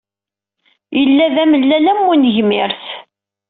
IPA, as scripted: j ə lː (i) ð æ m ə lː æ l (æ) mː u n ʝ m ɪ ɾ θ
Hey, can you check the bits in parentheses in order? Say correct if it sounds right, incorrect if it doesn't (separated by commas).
incorrect, correct